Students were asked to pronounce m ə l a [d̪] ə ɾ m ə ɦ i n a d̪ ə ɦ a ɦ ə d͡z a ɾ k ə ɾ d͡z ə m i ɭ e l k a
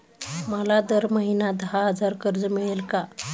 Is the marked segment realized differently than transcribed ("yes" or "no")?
no